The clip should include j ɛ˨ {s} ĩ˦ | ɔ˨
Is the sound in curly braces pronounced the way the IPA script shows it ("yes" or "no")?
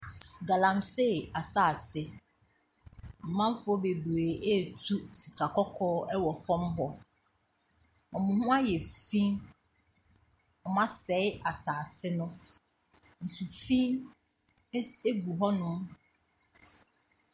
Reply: no